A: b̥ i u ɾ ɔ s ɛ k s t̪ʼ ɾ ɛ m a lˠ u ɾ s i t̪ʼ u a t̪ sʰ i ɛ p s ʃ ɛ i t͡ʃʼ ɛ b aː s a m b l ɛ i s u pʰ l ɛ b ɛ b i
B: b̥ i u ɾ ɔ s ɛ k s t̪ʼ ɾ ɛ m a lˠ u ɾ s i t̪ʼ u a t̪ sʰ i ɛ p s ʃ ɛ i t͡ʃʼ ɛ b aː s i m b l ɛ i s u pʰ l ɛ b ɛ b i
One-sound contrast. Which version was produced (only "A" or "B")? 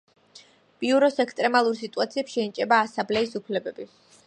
A